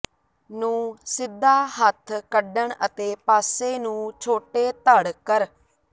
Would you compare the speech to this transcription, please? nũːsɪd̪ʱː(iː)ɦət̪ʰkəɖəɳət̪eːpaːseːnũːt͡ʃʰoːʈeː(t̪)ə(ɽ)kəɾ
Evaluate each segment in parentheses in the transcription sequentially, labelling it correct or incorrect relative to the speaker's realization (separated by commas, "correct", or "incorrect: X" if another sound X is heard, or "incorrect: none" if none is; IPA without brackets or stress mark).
incorrect: aː, correct, correct